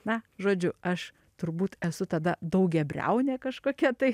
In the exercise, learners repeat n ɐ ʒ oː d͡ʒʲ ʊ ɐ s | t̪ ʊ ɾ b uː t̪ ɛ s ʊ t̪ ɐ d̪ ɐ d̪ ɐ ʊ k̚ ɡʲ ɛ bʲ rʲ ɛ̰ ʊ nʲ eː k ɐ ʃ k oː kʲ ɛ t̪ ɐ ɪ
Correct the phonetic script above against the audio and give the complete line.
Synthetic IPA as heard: n ɐ ʒ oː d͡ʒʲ ʊ ɐ ʃ | t̪ ʊ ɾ b uː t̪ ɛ s ʊ t̪ ɐ d̪ ɐ d̪ ɐ ʊ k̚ ɡʲ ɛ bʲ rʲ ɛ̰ ʊ nʲ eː k ɐ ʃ k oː kʲ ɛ t̪ ɐ ɪ